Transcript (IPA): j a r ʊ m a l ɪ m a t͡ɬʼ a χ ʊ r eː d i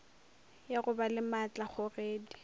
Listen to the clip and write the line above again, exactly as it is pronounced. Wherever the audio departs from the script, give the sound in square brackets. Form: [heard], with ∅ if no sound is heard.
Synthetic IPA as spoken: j a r ʊ [b] a l ɪ m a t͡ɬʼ a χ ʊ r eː d i